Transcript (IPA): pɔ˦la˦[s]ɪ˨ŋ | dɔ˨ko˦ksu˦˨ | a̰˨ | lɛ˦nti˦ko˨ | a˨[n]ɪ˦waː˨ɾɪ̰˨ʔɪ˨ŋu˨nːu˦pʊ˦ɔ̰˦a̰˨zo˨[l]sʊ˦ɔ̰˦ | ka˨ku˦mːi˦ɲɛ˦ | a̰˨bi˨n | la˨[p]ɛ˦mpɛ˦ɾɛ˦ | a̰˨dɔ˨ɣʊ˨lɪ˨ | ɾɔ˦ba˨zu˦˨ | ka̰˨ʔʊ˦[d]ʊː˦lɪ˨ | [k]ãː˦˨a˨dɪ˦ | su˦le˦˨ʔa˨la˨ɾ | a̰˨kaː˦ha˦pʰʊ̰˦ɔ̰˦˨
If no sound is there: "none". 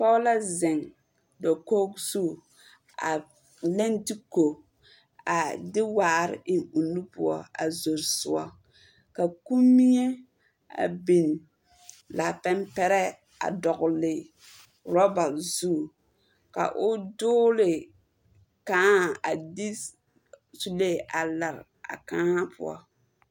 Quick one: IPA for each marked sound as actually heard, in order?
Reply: z, d, ɾ, p, d, k

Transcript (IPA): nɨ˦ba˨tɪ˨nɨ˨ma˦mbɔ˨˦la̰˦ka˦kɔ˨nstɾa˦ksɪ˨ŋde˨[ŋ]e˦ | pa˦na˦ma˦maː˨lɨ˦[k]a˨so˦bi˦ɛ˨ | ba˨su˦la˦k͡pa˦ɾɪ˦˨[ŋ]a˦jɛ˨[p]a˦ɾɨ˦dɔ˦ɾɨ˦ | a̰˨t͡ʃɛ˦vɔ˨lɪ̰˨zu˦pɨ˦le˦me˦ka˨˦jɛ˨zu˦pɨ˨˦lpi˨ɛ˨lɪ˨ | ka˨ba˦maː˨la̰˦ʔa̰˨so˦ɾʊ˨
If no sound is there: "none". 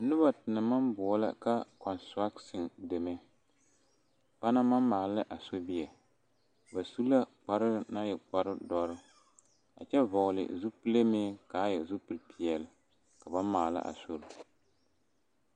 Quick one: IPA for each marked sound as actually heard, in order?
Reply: m, ʔ, n, k͡p

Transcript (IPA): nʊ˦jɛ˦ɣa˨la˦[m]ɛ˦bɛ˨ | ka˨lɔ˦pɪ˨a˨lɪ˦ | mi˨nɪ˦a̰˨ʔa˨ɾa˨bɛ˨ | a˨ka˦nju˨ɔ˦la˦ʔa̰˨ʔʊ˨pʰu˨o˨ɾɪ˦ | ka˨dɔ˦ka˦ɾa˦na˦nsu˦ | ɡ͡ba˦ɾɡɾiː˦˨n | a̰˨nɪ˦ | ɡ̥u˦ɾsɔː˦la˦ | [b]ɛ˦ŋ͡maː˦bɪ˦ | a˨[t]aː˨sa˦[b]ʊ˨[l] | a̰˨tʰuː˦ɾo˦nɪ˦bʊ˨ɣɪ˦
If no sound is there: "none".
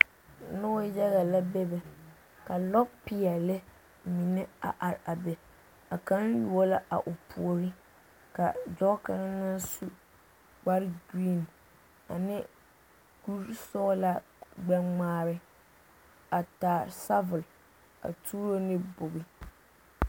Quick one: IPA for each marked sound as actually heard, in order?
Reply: b, ɡ͡b, t, v, l

